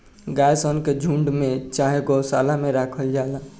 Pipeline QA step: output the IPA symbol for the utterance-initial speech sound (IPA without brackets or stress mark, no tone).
ɡ